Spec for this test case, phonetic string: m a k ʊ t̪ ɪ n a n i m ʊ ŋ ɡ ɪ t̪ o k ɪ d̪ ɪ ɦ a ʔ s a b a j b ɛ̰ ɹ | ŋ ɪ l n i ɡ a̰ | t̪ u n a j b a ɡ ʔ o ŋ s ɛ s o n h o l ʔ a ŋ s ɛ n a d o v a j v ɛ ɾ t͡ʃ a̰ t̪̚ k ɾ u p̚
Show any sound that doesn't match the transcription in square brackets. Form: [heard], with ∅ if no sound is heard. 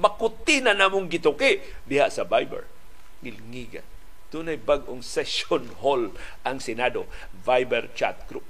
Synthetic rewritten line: m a k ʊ t̪ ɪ n a n [a] m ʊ ŋ ɡ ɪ t̪ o k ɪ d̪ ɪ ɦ a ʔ s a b a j b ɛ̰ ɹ | ŋ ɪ l [ŋ] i ɡ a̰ | t̪ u n a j b a ɡ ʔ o ŋ s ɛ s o n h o l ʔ a ŋ s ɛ n a d o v a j [b] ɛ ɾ t͡ʃ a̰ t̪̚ k ɾ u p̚